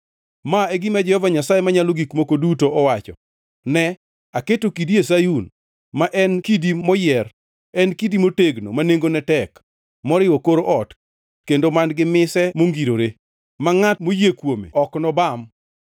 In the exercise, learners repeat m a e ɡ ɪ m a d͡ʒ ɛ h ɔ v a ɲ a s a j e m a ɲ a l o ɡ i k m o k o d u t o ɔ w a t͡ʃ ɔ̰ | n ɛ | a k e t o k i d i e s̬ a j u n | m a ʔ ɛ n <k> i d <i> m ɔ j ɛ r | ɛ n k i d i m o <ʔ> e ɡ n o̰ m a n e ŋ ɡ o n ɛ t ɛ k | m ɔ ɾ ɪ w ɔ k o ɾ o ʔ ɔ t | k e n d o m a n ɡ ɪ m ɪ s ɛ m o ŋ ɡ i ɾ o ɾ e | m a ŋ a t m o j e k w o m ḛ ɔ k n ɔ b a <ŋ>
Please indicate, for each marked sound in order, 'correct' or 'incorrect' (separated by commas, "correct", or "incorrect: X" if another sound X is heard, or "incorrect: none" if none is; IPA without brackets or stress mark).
correct, correct, incorrect: t, incorrect: m